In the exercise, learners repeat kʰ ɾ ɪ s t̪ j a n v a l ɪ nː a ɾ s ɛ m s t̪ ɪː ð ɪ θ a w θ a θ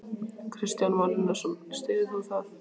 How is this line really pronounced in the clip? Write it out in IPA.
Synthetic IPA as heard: kʰ ɾ ɪ s t̪ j a n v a l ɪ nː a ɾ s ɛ m s t̪ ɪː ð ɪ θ a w θ a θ